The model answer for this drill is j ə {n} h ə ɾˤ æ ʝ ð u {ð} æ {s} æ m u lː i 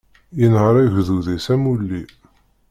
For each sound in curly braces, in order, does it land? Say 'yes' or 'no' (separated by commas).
yes, yes, yes